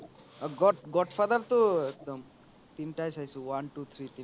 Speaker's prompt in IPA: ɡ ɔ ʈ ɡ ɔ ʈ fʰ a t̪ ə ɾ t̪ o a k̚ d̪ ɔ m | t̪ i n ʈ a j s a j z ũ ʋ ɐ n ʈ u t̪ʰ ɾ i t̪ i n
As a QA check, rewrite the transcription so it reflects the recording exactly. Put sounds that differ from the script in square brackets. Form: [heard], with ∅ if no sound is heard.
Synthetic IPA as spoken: ɡ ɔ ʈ ɡ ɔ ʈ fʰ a [d̪] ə ɾ t̪ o [e] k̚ d̪ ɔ m | t̪ i n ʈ a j s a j [s] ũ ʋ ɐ n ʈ u t̪ʰ ɾ i t̪ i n